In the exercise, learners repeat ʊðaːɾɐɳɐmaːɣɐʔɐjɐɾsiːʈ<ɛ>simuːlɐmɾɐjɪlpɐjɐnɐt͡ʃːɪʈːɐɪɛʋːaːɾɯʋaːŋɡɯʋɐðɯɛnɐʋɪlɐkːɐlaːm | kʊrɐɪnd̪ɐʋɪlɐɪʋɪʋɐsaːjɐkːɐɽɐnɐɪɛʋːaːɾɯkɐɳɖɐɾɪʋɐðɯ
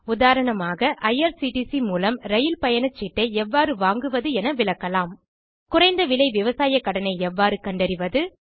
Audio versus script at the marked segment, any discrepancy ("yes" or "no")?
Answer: yes